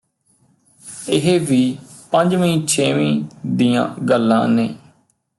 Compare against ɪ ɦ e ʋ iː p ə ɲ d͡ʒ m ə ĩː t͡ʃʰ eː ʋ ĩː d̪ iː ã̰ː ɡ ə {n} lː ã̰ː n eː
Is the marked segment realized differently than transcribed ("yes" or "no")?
yes